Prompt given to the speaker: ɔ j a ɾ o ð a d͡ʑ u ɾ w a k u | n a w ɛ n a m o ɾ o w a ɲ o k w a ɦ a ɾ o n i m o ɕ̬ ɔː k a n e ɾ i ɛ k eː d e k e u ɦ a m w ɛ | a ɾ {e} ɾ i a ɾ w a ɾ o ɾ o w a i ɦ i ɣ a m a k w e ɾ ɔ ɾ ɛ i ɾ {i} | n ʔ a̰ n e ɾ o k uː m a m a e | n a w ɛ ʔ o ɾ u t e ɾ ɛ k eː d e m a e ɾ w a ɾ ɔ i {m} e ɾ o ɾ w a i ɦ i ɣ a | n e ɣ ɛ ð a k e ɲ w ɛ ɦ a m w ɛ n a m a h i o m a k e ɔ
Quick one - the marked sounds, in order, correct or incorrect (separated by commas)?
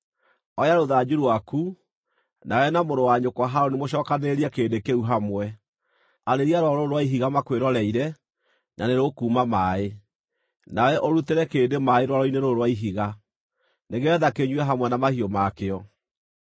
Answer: correct, incorrect, incorrect